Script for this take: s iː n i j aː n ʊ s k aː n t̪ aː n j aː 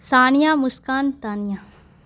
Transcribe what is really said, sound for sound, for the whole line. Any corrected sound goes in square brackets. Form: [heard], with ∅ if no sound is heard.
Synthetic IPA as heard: s [aː] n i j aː [m] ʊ s k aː n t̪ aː n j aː